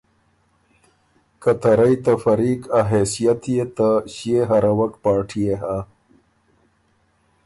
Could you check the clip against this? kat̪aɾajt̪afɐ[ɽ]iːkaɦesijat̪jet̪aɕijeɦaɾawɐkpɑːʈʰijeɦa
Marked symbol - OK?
no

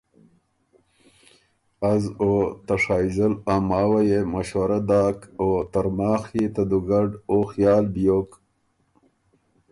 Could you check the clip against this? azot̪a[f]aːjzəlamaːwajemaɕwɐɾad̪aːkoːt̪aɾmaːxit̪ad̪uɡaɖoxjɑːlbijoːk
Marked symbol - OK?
no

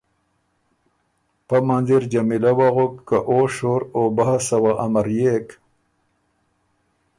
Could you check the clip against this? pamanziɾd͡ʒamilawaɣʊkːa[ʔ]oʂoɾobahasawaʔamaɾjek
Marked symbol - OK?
yes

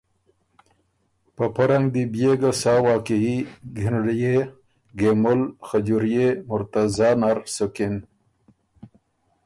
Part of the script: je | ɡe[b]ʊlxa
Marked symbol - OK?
no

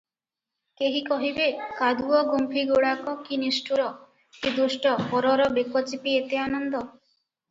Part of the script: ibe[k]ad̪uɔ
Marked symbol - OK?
yes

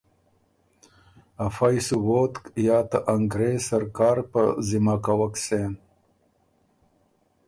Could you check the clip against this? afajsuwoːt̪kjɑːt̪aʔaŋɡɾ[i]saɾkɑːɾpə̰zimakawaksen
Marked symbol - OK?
no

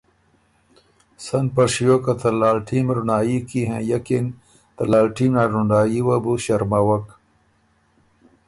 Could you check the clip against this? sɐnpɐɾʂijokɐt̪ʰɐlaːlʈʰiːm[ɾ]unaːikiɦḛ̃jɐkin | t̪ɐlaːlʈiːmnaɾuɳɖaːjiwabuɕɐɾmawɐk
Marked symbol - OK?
yes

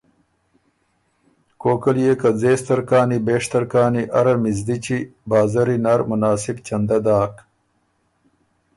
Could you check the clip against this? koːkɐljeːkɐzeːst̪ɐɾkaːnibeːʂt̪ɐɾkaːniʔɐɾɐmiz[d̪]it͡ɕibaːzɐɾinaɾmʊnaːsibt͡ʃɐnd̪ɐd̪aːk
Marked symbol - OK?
yes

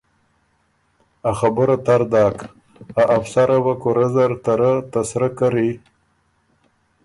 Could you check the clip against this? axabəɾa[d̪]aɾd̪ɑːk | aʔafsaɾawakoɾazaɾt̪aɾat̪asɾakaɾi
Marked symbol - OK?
no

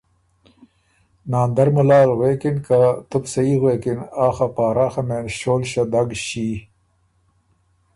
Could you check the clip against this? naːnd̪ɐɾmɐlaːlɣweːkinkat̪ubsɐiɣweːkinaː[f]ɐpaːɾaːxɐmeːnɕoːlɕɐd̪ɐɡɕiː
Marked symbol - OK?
no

